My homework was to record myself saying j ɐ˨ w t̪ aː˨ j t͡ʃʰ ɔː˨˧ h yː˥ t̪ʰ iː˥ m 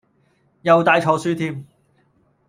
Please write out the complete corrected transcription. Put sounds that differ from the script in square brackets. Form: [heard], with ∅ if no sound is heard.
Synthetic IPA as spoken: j ɐ˨ w t̪ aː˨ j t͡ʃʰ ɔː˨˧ [s] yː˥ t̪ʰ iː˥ m